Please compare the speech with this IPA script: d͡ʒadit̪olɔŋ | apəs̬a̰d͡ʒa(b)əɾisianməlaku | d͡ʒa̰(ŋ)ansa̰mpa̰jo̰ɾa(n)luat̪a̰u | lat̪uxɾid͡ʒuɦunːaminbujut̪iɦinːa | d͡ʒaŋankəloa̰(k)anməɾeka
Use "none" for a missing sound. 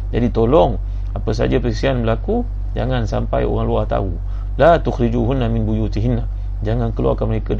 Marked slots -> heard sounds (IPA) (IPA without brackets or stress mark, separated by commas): p, ŋ, ŋ, k